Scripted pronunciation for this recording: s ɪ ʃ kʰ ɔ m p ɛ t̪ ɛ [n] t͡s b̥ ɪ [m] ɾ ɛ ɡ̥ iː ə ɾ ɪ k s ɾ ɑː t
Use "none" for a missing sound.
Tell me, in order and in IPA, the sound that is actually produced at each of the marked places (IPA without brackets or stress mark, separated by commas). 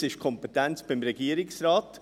n, m